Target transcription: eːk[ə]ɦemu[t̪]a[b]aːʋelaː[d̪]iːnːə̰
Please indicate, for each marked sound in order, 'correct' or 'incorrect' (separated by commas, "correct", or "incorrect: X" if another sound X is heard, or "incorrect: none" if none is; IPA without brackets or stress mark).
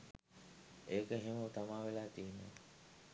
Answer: correct, correct, incorrect: m, incorrect: t̪